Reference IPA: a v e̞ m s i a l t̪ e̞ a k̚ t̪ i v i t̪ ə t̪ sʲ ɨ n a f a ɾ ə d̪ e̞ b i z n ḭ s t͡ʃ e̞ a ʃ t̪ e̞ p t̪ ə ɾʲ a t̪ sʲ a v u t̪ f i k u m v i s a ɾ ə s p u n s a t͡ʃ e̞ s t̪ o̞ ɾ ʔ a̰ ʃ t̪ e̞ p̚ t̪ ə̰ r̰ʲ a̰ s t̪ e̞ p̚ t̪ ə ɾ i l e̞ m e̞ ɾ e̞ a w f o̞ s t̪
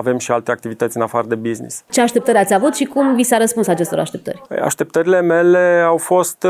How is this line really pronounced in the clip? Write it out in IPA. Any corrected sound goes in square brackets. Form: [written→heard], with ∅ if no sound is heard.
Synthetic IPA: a v e̞ m [s→ʃ] i a l t̪ e̞ a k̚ t̪ i v i t̪ ə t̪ sʲ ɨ n a f a ɾ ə d̪ e̞ b i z n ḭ s t͡ʃ e̞ a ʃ t̪ e̞ p t̪ ə ɾʲ a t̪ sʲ a v u t̪ [f→ʃ] i k u m v i s a ɾ ə s p u n s a t͡ʃ e̞ s t̪ o̞ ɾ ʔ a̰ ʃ t̪ e̞ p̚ t̪ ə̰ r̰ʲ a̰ [s→ʃ] t̪ e̞ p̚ t̪ ə ɾ i l e̞ m e̞ [ɾ→l] e̞ a w f o̞ s t̪